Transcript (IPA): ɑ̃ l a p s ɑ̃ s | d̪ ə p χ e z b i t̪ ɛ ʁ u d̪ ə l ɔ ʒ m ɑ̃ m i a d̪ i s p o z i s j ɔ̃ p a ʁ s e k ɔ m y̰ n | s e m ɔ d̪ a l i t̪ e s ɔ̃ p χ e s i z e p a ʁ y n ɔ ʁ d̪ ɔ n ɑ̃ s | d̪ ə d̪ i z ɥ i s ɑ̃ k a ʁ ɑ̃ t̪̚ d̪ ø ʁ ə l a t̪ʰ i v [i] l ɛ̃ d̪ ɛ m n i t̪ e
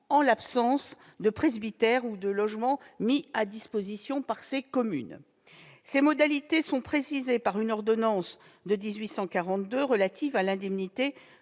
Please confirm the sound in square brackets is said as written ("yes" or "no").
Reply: no